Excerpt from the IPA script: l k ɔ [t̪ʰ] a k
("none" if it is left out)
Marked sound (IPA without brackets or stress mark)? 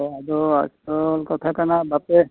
t̪ʰ